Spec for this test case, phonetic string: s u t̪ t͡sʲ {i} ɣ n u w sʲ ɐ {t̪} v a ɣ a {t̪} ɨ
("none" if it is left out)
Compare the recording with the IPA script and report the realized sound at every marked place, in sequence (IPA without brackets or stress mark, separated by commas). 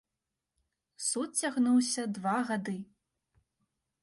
a, d̪, d̪